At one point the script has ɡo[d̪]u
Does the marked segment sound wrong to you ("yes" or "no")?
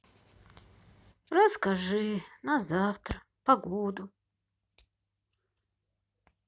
no